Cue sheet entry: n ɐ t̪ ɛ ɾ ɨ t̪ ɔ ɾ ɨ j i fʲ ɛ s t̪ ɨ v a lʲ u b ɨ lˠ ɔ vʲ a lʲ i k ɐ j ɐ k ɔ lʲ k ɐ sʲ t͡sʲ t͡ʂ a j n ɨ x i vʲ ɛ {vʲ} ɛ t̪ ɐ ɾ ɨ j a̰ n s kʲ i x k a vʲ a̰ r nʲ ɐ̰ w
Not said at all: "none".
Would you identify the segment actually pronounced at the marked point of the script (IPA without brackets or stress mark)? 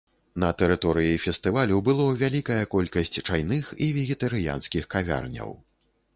ɣʲ